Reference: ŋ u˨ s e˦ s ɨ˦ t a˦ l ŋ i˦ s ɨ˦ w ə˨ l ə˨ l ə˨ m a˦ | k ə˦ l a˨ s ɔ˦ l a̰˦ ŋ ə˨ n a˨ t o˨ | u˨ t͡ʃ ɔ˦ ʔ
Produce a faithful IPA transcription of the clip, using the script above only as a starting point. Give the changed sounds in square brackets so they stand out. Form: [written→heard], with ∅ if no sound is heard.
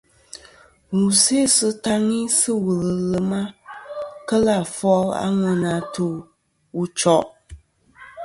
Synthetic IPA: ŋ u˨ s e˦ s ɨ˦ t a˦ [l→∅] ŋ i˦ s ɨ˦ w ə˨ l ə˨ l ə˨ m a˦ | k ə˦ l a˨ [s→f] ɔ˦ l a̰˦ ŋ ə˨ n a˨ t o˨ | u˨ t͡ʃ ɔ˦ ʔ